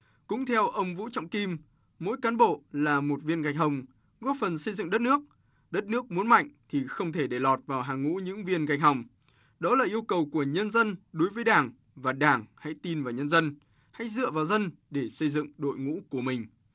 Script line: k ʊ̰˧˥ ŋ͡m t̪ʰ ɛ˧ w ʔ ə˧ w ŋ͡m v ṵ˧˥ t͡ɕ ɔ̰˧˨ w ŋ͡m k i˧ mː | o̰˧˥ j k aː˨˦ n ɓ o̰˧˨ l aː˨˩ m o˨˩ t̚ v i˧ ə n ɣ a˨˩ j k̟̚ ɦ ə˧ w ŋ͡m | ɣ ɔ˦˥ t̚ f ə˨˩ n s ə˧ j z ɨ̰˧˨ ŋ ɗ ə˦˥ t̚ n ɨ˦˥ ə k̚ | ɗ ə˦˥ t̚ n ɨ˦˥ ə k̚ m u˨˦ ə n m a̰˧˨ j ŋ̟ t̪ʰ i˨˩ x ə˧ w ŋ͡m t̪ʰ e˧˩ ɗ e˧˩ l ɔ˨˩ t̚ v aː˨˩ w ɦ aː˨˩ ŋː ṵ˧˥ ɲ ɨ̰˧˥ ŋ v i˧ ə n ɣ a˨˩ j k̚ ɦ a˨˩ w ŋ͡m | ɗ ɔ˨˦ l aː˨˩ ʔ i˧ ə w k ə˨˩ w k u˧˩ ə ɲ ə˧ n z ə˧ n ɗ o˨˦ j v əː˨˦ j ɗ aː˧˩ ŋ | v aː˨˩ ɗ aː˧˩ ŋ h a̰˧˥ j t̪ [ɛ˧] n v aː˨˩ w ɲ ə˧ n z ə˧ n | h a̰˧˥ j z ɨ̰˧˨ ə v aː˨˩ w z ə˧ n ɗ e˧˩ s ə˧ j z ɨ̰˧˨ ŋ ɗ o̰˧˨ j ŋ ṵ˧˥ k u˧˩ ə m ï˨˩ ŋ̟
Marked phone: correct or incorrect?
incorrect: i˧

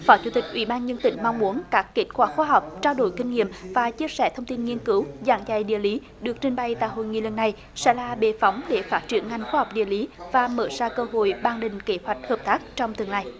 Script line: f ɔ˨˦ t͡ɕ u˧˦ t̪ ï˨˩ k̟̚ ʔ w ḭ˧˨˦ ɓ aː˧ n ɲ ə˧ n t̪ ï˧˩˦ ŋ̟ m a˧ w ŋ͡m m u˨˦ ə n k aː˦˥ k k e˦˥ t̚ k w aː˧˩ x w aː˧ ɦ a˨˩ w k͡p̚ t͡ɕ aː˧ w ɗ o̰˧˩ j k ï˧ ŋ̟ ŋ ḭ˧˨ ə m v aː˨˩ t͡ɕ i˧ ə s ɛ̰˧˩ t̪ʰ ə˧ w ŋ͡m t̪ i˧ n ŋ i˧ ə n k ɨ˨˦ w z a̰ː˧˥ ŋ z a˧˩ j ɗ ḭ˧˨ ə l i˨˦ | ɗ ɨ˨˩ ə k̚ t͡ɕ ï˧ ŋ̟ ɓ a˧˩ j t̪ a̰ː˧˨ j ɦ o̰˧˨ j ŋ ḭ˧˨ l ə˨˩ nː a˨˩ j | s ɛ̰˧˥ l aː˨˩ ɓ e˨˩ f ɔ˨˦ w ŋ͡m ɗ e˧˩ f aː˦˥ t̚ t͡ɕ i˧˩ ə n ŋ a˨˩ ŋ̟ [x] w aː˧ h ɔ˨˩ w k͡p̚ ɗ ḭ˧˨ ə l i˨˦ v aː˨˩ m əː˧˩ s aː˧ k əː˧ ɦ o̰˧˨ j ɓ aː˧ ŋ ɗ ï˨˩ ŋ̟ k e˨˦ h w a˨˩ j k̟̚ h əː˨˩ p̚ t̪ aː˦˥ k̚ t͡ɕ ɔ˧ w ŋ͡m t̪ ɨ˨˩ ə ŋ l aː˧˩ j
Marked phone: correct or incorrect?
correct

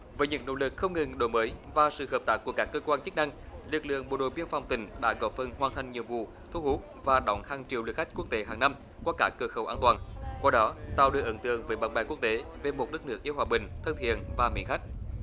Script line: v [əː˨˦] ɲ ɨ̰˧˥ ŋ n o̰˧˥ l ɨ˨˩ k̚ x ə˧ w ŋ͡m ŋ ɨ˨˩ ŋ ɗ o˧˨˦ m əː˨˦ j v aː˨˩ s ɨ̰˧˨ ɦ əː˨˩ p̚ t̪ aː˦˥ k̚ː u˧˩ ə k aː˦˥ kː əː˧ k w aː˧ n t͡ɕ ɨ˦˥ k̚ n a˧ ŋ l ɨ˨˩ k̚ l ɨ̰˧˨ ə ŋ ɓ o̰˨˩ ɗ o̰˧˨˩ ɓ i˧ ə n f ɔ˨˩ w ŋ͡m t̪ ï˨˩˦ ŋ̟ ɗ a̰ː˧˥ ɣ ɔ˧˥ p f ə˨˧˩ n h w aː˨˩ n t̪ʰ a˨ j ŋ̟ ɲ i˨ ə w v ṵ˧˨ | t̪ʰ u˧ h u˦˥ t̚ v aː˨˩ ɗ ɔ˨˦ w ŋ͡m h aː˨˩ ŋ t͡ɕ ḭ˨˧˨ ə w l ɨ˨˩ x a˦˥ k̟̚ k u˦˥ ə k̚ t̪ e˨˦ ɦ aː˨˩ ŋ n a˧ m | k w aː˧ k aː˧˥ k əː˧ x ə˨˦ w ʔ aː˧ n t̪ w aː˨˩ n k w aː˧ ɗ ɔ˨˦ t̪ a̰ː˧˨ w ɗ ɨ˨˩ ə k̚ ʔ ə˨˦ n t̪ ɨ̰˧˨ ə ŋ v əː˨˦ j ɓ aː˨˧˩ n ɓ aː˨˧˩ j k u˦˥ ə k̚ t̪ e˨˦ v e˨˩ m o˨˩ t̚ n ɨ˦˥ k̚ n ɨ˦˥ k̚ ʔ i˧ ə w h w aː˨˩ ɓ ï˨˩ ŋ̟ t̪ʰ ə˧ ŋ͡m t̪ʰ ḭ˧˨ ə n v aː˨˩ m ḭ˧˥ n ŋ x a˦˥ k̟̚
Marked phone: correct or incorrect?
correct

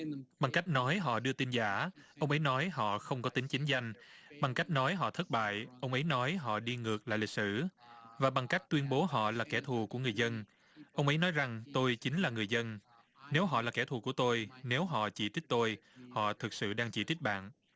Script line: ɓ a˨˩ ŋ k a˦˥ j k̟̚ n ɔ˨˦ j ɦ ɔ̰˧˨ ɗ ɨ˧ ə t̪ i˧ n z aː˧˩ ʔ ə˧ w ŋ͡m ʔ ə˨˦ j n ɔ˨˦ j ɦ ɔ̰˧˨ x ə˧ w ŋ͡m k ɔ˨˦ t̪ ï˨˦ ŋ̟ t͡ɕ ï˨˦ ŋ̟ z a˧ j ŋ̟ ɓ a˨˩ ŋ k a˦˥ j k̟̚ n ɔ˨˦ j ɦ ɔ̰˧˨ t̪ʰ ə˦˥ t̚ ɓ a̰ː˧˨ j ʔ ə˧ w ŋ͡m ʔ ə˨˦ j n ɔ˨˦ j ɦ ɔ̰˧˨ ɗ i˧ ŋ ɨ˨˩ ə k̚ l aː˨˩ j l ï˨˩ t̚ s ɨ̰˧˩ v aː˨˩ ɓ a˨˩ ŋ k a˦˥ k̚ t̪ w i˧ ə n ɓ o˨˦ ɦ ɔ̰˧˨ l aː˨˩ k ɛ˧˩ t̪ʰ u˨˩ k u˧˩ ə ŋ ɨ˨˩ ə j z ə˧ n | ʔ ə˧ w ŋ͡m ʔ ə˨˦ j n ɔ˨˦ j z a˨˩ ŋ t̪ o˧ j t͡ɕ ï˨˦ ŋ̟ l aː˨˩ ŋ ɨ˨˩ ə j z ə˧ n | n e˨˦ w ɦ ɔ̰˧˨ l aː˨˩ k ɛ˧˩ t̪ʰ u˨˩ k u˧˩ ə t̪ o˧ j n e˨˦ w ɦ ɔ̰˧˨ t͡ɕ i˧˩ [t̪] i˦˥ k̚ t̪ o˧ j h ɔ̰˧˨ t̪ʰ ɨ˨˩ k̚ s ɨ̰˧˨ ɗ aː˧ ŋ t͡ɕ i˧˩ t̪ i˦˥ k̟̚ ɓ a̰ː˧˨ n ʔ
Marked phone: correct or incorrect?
correct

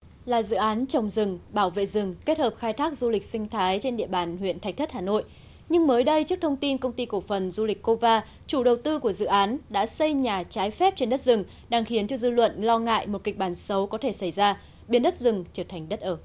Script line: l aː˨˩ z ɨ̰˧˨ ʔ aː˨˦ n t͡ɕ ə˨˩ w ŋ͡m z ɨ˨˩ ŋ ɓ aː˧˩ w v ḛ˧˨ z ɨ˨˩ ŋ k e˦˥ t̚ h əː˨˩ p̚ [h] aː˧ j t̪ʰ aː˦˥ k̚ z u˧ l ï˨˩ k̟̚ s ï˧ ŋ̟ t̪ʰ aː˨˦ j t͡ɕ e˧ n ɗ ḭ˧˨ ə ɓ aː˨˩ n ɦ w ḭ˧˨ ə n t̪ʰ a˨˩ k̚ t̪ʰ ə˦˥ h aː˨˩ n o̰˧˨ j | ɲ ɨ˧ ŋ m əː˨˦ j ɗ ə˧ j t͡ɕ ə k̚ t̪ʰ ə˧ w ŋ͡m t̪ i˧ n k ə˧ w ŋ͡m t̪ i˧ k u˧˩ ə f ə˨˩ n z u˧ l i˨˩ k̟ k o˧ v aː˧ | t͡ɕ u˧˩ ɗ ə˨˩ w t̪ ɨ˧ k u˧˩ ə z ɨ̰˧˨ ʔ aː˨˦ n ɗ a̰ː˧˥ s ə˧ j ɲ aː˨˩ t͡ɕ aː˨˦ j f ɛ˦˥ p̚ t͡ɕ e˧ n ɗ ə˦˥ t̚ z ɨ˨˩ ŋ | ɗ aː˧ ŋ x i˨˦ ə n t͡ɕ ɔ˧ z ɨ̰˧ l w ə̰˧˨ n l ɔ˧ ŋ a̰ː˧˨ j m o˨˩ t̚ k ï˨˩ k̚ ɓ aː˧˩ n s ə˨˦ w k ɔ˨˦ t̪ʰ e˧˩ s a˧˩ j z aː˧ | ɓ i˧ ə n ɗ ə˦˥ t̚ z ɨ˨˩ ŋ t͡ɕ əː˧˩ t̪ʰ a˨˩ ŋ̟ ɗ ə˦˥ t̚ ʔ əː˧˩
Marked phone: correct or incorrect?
incorrect: x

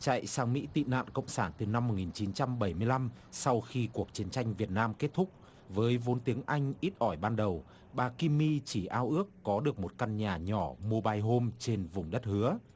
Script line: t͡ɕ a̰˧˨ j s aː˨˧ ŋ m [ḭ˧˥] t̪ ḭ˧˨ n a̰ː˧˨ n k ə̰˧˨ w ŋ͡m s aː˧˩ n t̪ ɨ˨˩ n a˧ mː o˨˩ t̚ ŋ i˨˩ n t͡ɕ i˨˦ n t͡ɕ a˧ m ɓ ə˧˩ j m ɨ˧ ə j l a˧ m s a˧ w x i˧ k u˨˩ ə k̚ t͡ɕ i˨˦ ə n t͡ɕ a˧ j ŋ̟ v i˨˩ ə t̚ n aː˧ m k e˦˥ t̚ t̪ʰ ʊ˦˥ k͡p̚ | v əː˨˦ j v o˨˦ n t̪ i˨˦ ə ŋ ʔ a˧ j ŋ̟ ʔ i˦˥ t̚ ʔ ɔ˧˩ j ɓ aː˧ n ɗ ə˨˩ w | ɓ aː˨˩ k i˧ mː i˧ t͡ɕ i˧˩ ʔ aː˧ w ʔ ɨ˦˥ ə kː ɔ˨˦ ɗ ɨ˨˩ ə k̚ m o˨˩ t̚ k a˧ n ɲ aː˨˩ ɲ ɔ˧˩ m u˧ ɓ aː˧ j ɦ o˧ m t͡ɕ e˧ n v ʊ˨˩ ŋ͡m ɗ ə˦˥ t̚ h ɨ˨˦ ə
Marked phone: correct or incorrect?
correct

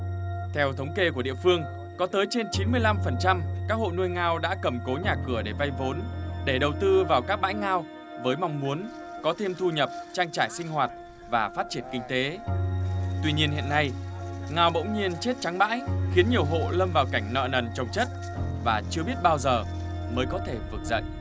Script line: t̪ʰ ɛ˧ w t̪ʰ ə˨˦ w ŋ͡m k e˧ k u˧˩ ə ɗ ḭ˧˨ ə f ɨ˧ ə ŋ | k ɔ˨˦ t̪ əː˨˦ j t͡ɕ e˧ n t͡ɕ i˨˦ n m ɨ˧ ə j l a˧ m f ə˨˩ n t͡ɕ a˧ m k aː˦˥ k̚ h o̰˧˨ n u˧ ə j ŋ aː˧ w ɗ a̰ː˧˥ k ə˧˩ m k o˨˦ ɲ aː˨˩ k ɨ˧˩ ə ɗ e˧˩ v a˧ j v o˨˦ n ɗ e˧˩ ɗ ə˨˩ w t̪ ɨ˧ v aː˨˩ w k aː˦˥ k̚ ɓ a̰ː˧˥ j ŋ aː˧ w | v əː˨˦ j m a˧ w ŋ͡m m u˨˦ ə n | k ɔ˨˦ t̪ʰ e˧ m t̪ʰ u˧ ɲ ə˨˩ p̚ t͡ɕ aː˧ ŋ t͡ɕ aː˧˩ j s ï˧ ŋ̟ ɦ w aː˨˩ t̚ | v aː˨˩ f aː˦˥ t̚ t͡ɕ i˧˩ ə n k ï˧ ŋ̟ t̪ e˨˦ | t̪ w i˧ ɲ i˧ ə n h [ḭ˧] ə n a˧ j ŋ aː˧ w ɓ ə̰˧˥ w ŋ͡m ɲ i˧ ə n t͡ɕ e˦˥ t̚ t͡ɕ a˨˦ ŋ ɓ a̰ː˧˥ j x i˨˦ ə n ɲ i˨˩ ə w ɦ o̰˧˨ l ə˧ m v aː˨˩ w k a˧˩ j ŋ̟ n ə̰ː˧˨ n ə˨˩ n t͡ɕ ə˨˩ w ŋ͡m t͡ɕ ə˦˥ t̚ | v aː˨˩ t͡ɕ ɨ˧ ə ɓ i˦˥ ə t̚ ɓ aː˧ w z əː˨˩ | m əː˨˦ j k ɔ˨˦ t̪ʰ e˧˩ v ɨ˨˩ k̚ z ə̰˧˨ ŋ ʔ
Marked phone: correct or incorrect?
correct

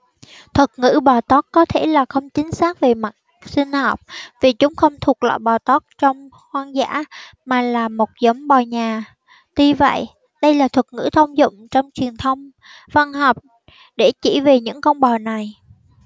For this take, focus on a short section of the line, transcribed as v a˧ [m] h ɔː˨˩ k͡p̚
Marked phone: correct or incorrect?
incorrect: n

